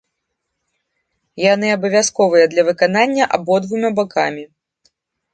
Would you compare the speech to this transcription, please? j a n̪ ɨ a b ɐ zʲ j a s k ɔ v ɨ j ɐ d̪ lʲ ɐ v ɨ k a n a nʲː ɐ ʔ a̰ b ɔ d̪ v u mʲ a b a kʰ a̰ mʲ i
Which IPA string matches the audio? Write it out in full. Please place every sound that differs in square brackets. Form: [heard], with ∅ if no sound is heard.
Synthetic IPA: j a n̪ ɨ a b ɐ [vʲ] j a s k ɔ v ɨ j ɐ d̪ lʲ ɐ v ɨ k a n a nʲː ɐ ʔ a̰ b ɔ d̪ v u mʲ a b a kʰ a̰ mʲ i